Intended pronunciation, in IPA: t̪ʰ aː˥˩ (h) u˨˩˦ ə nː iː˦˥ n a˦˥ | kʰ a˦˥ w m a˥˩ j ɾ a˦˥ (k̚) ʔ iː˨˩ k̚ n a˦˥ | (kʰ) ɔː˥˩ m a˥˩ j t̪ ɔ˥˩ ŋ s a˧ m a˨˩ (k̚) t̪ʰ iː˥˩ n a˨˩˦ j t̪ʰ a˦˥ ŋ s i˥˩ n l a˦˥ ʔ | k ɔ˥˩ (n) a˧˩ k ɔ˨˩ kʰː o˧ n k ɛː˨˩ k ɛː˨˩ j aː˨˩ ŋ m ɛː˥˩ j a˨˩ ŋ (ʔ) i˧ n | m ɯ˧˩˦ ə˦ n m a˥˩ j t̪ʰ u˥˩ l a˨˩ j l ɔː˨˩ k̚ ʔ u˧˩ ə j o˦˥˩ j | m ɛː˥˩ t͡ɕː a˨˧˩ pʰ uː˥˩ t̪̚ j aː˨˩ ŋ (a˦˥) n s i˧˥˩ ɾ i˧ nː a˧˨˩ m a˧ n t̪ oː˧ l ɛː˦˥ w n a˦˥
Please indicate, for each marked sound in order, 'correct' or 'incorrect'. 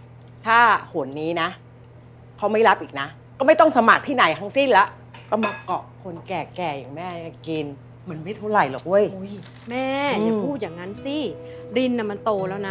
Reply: correct, incorrect, incorrect, correct, incorrect, incorrect, correct

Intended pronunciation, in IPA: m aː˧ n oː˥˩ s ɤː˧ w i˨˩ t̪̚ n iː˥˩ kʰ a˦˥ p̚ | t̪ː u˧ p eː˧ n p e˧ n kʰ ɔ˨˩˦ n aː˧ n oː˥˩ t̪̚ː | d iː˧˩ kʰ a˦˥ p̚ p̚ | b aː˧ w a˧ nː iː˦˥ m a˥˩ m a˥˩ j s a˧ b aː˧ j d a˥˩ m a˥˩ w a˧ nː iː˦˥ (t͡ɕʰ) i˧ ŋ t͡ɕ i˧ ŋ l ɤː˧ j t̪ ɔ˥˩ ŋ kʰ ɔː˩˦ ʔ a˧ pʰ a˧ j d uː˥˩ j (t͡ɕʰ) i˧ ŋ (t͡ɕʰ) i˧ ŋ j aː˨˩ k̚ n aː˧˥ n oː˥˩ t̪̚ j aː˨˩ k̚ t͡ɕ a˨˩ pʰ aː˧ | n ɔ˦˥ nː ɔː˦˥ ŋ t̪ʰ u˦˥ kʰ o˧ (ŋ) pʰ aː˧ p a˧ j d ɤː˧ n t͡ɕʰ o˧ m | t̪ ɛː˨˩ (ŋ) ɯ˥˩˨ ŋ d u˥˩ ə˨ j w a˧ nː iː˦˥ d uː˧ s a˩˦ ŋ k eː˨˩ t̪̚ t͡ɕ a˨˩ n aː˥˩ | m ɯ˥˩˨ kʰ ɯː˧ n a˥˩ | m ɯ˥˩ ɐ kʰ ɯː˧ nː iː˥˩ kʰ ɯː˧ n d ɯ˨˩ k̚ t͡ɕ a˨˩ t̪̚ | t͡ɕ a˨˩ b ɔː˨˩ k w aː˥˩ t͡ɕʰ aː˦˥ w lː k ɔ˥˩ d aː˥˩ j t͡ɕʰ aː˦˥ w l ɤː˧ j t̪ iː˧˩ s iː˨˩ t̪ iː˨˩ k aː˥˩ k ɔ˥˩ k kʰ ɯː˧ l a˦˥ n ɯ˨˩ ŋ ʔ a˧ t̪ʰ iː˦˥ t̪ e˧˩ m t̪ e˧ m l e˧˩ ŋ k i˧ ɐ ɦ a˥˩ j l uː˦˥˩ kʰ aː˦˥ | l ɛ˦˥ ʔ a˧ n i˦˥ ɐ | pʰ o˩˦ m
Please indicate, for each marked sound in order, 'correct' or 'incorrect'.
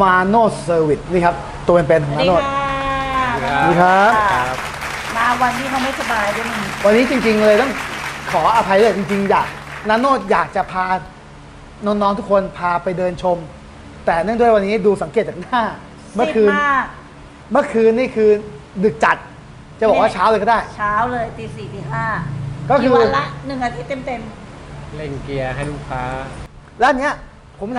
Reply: incorrect, incorrect, incorrect, incorrect, incorrect

